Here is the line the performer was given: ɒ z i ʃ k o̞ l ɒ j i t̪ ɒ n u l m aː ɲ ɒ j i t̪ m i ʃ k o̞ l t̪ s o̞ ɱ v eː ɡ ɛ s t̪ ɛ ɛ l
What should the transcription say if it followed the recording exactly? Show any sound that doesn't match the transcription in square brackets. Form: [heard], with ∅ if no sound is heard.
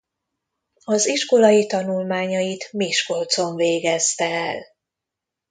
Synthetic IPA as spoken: ɒ z i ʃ k o̞ l ɒ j i t̪ ɒ n u l m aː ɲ ɒ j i t̪ m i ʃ k o̞ l t̪ s o̞ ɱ v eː ɡ ɛ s t̪ ɛ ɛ l